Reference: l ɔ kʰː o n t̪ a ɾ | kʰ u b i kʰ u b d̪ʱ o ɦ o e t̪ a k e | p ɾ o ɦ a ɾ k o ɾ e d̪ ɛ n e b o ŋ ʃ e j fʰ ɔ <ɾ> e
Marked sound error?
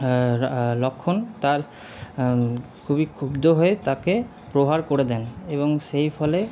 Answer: yes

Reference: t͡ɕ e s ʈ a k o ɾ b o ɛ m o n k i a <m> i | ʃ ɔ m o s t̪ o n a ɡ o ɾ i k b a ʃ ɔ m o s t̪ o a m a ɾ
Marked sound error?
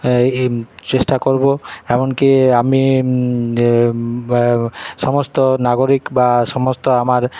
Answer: no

